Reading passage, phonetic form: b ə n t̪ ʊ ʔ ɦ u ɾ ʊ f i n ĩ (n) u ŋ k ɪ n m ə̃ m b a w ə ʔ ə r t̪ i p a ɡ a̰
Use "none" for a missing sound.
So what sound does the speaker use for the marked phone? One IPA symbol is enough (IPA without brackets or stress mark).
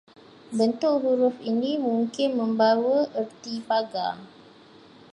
m